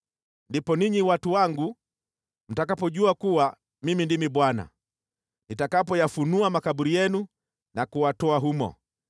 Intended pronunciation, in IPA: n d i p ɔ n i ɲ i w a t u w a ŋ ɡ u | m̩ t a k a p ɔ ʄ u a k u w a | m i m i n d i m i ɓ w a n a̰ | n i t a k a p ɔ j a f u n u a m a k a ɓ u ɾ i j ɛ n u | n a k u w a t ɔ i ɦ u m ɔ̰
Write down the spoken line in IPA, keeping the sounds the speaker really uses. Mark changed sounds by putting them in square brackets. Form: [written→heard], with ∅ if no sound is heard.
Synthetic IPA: n d i p ɔ n i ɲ i w a t u w a ŋ ɡ u | m̩ t a k a p ɔ ʄ u a k u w a | m i m i n d i m i ɓ w a n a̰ | n i t a k a p ɔ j a f u n u a m a k a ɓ u ɾ i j ɛ n u | n a k u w a t ɔ [i→a] ɦ u m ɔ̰